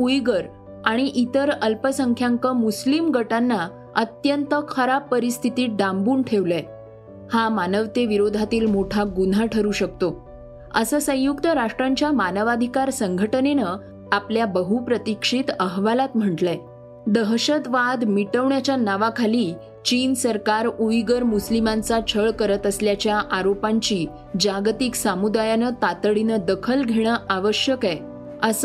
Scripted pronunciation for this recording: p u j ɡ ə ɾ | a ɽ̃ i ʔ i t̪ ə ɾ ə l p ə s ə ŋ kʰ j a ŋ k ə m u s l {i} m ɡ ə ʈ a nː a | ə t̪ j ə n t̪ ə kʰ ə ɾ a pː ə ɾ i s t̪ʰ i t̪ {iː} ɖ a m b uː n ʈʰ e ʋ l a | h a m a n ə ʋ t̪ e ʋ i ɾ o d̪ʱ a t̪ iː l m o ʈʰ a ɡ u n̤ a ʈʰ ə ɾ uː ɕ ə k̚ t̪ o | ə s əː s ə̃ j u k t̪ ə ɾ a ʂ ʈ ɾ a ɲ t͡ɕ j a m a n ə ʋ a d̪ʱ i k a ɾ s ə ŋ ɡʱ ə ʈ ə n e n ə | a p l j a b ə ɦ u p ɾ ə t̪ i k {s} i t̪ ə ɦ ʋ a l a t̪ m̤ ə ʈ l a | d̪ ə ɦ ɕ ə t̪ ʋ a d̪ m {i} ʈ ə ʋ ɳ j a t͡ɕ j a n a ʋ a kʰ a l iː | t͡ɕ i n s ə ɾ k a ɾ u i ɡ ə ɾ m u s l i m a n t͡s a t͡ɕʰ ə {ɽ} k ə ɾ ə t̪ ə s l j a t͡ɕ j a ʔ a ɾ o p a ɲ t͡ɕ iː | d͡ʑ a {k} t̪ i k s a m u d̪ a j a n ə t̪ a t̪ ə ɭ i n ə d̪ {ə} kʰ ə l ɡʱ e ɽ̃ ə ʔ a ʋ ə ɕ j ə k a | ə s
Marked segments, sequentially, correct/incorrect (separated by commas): correct, correct, incorrect, correct, incorrect, incorrect, correct